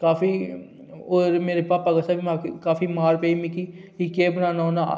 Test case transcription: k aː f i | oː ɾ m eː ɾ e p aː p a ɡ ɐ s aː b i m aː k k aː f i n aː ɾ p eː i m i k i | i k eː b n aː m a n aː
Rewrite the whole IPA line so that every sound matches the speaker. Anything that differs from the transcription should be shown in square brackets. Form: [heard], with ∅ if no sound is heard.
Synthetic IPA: k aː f i | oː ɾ m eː ɾ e p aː p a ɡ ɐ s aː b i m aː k k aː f i [m] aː ɾ p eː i m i k i | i k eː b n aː [n] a n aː

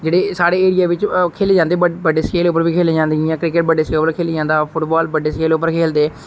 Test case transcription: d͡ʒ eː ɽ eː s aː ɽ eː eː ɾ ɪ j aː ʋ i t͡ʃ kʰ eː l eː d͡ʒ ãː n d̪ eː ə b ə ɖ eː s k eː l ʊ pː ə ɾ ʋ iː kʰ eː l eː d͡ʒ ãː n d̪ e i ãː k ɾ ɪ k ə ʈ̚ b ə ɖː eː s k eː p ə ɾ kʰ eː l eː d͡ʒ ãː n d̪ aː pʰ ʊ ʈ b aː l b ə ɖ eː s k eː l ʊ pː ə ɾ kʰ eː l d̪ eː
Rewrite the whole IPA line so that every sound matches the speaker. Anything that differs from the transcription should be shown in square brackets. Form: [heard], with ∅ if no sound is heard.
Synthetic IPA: d͡ʒ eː ɽ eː s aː ɽ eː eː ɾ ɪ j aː ʋ [ɪ] t͡ʃ kʰ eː l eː d͡ʒ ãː n d̪ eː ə b ə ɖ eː s k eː l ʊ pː ə ɾ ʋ iː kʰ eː l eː d͡ʒ ãː n d̪ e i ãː k ɾ ɪ k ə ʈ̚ b ə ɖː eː s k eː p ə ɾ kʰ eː l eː d͡ʒ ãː n d̪ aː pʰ ʊ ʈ b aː l b ə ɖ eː s k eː l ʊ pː ə ɾ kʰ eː l d̪ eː

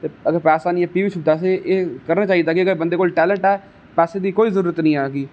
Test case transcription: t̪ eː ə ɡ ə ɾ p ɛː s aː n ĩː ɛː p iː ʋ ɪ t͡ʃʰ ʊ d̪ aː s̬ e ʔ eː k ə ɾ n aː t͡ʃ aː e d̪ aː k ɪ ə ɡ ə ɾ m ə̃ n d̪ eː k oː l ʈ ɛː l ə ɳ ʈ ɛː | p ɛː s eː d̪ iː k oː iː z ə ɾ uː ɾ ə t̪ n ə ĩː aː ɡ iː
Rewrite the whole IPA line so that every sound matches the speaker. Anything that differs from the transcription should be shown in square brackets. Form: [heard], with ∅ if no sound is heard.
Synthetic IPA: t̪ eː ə ɡ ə ɾ p ɛː s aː n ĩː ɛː p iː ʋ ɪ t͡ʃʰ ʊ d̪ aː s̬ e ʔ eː k ə ɾ n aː t͡ʃ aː [i] d̪ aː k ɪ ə ɡ ə ɾ [b] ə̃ n d̪ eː k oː l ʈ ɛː l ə ɳ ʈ ɛː | p ɛː s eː d̪ iː k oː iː z ə ɾ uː ɾ ə t̪ n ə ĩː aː ɡ iː

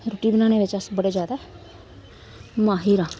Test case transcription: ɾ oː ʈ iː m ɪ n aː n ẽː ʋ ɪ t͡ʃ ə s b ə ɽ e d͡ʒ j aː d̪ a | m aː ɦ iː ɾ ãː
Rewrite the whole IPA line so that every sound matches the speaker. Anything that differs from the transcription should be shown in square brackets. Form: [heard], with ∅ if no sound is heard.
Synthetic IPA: ɾ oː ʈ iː [b] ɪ n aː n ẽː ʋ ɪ t͡ʃ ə s b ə ɽ e d͡ʒ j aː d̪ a | m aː ɦ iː ɾ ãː

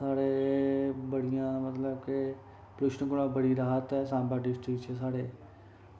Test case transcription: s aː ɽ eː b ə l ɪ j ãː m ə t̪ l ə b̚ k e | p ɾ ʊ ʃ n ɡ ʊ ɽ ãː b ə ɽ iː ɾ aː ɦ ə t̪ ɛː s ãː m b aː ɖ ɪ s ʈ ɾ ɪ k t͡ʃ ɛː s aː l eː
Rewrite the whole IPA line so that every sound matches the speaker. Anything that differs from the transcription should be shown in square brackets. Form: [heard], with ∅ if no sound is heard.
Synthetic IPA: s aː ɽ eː b ə [ɽ] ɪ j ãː m ə t̪ l ə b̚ k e | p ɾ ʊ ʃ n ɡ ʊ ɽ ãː b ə ɽ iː ɾ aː ɦ ə t̪ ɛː s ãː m b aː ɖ ɪ s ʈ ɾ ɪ k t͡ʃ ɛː s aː [ɽ] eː

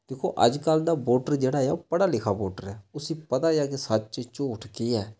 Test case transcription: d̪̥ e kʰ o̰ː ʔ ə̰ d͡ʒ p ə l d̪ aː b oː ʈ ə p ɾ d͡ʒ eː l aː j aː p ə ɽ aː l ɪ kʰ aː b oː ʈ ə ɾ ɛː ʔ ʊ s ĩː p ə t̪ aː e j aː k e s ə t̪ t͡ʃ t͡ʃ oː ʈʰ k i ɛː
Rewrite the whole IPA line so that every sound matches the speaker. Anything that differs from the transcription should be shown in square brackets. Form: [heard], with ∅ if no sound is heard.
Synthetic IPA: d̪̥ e kʰ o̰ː ʔ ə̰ d͡ʒ [k] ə l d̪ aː b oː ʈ ə [∅] ɾ d͡ʒ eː [ɽ] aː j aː p ə ɽ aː l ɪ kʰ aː b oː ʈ ə ɾ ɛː [∅] ʊ s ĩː p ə t̪ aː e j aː k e s ə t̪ t͡ʃ t͡ʃ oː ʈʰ k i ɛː

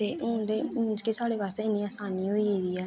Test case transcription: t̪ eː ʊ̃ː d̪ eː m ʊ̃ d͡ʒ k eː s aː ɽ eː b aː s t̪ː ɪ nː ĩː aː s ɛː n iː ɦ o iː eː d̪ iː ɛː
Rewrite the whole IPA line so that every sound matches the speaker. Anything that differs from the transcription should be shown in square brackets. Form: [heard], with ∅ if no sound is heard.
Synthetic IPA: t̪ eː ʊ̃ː d̪ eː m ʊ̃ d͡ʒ k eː s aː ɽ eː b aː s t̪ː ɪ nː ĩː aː s [aː] n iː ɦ o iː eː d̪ iː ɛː

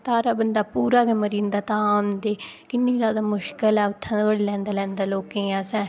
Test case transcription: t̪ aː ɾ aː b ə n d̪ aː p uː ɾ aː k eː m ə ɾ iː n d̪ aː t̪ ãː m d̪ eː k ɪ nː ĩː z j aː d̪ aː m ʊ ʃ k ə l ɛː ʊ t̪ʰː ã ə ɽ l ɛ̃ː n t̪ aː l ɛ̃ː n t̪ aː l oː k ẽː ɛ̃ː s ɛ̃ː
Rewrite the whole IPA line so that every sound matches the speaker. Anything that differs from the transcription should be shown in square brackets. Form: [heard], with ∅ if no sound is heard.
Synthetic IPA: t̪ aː ɾ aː b ə n d̪ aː p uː ɾ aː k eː m ə ɾ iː n d̪ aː t̪ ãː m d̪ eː k ɪ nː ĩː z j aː d̪ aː m ʊ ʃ k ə l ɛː ʊ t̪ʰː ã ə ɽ l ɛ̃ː n [d̪] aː l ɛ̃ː n [d̪] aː l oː k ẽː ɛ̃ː s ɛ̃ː

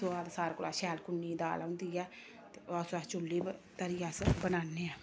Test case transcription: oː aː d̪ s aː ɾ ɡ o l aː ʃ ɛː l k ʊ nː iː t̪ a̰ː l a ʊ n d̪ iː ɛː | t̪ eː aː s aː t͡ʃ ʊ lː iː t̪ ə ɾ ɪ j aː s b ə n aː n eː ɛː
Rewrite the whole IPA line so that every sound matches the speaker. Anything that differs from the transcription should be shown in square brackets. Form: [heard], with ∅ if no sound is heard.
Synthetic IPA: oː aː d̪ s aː ɾ [k] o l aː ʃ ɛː l k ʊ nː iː [d̪] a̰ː l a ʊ n d̪ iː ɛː | t̪ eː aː s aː t͡ʃ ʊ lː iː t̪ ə ɾ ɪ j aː s b ə n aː n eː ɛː

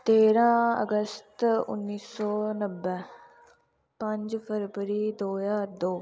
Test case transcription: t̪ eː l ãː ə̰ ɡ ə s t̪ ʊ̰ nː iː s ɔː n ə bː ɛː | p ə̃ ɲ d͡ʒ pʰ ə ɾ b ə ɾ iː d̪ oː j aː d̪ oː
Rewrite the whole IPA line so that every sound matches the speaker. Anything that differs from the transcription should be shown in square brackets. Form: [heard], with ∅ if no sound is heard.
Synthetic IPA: t̪ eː [ɾ] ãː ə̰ ɡ ə s t̪ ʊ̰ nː iː s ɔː n ə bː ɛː | p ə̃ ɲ d͡ʒ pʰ ə ɾ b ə ɾ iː d̪ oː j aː d̪ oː

